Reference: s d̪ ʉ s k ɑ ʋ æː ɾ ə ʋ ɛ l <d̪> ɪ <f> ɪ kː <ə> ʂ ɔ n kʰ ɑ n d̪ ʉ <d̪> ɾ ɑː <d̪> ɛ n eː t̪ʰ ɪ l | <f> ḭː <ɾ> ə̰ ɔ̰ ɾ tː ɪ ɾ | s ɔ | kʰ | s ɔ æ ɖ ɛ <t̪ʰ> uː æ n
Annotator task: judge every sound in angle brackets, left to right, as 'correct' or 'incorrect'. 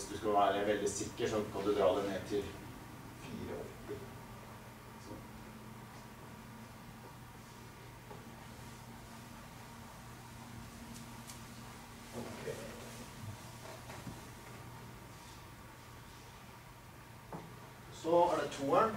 correct, incorrect: s, correct, correct, correct, correct, correct, correct

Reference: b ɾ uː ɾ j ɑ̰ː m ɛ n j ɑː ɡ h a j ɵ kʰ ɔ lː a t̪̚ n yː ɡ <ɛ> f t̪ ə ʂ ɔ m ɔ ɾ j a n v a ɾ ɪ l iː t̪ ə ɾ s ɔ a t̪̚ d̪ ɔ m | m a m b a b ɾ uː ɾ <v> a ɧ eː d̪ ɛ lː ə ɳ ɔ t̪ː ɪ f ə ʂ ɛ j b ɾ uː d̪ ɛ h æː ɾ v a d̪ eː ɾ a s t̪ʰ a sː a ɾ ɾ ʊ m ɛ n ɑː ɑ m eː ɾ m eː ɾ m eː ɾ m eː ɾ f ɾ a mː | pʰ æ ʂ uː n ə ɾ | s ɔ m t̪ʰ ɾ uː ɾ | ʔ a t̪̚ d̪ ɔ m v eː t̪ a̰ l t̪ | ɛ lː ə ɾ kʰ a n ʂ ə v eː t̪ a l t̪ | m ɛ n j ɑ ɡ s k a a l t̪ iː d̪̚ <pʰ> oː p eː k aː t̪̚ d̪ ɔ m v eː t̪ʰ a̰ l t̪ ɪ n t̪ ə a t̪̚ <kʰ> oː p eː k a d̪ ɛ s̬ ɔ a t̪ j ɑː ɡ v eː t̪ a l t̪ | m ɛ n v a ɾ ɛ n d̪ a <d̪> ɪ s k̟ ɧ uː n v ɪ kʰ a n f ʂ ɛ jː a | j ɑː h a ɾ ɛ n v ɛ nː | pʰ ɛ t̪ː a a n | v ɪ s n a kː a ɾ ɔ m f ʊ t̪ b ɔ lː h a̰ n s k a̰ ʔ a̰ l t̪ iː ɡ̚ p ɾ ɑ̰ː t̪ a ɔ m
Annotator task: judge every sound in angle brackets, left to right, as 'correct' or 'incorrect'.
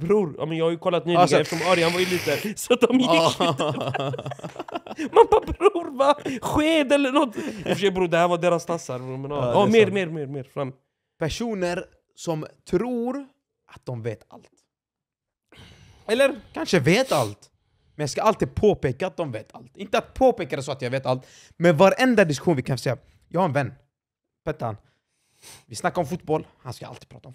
correct, correct, correct, incorrect: pʰ, correct

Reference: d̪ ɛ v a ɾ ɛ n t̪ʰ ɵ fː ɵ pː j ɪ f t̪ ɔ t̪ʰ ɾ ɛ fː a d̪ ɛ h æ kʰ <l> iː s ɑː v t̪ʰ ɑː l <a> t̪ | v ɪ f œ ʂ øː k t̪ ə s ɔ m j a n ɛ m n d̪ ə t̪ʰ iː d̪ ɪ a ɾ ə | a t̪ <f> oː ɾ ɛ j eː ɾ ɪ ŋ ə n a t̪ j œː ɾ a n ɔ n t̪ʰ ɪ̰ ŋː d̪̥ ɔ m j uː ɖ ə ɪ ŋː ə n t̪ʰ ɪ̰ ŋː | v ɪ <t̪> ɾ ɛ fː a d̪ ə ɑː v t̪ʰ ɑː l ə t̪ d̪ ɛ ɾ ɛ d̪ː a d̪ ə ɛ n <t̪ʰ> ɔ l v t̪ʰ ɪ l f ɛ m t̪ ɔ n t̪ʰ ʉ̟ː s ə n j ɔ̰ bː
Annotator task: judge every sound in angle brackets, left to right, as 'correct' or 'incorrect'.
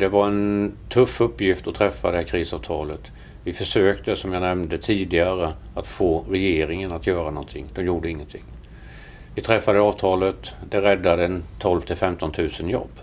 incorrect: ɾ, incorrect: ə, correct, incorrect: t̪ʰ, correct

